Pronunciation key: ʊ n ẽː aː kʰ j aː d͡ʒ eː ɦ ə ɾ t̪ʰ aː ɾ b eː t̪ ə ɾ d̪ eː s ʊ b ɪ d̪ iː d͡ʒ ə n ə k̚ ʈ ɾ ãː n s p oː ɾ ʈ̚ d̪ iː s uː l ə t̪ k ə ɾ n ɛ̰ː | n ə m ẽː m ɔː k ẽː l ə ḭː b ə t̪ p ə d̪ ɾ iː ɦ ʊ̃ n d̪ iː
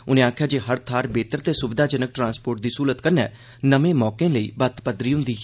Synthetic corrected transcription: ʊ n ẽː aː kʰ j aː d͡ʒ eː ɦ ə ɾ t̪ʰ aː ɾ b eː t̪ ə ɾ t̪ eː s ʊ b ɪ d̪ aː d͡ʒ ə n ə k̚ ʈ ɾ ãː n s p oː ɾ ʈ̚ d̪ iː s uː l ə t̪ k ə ɾ n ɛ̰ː | n ə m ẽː m ɔː k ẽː l ə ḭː b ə t̪ p ə d̪ ɾ iː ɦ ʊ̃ n d̪ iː